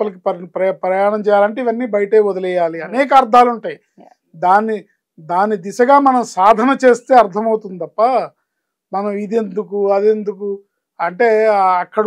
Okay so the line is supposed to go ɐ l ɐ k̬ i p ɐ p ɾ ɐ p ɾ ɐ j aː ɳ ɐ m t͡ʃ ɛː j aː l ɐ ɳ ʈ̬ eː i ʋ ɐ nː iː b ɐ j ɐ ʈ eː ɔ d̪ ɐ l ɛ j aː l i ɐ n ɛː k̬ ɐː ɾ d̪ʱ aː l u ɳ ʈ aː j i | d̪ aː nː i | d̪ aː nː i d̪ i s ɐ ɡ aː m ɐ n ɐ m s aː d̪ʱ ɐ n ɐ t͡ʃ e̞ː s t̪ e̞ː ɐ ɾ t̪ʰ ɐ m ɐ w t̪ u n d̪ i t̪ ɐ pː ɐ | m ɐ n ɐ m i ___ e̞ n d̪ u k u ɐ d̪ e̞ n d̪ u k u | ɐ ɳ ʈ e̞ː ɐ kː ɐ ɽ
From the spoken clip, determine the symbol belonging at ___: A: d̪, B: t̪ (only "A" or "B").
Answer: A